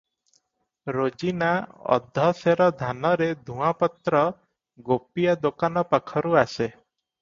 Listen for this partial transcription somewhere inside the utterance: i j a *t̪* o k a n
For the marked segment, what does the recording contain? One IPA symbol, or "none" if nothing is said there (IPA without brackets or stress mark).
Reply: d̪